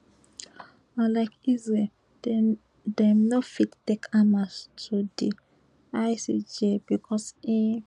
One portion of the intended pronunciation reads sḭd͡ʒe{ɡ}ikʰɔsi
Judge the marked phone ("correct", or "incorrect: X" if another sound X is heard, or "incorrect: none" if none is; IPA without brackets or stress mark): incorrect: b